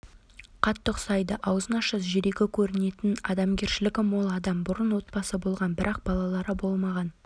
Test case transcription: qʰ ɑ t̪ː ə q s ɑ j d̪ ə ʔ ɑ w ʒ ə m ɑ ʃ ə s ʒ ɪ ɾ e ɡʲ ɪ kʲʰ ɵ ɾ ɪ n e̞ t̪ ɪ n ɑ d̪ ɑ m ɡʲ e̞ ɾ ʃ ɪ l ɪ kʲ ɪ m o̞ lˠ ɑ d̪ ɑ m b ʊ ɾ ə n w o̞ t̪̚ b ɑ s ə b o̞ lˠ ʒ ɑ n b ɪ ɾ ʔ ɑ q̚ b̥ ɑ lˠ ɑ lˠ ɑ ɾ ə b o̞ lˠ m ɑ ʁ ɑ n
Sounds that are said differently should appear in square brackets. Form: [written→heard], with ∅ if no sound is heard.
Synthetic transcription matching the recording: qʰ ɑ t̪ː ə q s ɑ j d̪ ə ʔ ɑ w [ʒ→z] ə [m→n] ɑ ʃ ə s ʒ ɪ ɾ e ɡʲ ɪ kʲʰ ɵ ɾ ɪ n e̞ t̪ ɪ n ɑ d̪ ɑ m ɡʲ e̞ ɾ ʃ ɪ l ɪ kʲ ɪ m o̞ lˠ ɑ d̪ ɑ m b ʊ ɾ ə n w o̞ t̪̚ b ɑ s ə b o̞ lˠ [ʒ→ʁ] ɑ n b ɪ ɾ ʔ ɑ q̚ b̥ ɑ lˠ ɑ lˠ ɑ ɾ ə b o̞ lˠ m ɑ ʁ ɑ n